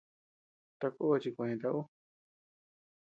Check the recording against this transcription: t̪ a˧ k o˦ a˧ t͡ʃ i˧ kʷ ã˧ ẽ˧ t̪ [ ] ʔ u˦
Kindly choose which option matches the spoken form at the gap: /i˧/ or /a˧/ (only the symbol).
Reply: a˧